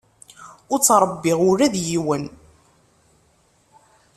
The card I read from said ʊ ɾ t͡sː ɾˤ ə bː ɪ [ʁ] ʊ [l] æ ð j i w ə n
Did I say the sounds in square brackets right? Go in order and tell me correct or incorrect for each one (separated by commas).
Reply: correct, incorrect